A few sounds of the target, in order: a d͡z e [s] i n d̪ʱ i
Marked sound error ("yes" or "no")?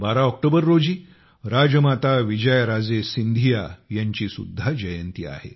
no